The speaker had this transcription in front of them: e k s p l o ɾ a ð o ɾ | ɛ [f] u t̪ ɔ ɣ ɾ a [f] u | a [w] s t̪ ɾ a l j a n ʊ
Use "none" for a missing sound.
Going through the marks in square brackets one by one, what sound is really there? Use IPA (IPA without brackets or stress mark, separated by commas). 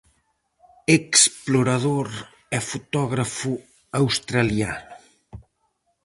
f, f, w